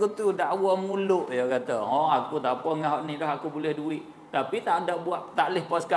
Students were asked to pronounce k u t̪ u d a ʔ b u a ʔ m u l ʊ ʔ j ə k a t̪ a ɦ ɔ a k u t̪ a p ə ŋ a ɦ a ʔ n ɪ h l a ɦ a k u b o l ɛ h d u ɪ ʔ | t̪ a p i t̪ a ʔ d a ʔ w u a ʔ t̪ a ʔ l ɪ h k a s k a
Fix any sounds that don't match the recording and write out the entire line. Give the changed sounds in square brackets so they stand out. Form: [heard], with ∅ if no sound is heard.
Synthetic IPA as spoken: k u t̪ u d a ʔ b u a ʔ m u l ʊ ʔ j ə k a t̪ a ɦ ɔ a k u t̪ a p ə ŋ a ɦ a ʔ n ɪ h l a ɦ a k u b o l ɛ h d u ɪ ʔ | t̪ a p i t̪ a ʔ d a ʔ [b] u a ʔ t̪ a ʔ l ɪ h [p] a s k a